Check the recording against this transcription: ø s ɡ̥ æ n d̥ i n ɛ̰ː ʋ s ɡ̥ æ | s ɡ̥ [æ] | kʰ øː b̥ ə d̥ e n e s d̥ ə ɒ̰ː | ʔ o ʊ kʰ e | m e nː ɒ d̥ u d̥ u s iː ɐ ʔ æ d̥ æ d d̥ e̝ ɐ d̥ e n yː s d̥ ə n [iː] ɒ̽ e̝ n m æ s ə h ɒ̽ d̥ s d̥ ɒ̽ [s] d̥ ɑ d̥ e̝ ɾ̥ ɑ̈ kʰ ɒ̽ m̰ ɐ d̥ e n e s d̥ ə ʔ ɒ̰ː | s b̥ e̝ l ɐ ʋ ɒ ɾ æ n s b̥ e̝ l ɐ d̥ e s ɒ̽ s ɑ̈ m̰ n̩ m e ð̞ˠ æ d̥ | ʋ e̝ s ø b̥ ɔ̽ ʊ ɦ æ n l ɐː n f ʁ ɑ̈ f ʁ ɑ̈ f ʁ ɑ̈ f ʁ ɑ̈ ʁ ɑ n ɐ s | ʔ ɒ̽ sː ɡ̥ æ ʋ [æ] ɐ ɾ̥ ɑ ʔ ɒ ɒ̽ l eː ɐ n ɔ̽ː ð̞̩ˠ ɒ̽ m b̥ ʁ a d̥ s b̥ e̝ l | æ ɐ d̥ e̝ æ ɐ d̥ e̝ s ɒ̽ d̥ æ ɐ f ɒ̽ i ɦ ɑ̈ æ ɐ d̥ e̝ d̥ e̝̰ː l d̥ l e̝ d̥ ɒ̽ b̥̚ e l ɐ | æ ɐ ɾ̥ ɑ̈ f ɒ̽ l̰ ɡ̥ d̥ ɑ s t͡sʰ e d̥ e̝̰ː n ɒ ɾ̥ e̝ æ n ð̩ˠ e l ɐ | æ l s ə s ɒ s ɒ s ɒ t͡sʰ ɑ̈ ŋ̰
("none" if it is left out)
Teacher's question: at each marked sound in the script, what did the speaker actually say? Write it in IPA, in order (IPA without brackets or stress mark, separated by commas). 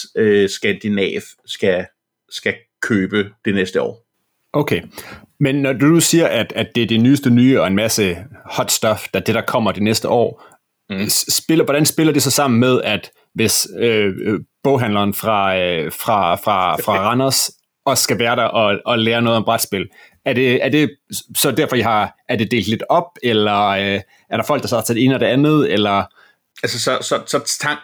æ, yː, f, æː